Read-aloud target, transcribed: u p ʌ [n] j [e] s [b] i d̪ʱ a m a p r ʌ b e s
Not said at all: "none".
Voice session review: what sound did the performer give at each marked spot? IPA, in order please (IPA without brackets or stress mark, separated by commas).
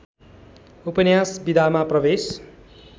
n, a, b